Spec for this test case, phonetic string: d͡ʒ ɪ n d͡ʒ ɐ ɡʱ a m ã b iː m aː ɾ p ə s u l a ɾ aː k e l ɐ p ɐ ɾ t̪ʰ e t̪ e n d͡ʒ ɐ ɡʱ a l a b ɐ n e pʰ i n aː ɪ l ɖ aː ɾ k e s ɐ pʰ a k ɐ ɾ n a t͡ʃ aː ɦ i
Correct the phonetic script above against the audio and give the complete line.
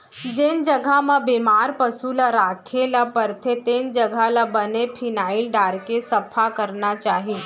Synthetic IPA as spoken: d͡ʒ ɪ n d͡ʒ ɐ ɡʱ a m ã b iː m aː ɾ p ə s u l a ɾ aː kʰ e l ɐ p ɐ ɾ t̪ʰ e t̪ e n d͡ʒ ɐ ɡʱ a l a b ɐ n e pʰ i n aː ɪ l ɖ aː ɾ k e s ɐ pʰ a k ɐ ɾ n a t͡ʃ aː ɦ i